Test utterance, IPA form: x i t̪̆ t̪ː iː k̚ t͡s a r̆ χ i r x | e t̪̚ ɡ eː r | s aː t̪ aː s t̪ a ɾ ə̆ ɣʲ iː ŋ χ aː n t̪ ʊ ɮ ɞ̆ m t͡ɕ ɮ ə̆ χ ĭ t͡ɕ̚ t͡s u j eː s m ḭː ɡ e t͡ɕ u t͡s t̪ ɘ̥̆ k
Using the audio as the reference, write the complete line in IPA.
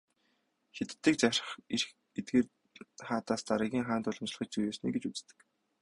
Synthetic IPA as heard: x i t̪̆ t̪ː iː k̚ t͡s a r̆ χ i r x | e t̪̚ ɡ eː r | χ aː t̪ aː s t̪ a ɾ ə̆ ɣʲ iː ŋ χ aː n t̪ ʊ ɮ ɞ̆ m t͡ɕ ɮ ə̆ χ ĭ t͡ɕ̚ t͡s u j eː s n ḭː ɡ e t͡ɕ u t͡s t̪ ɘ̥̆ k